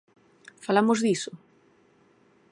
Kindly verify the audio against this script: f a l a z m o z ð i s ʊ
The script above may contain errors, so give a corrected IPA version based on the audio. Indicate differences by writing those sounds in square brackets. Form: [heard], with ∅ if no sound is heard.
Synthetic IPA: f a l a [∅] m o z ð i s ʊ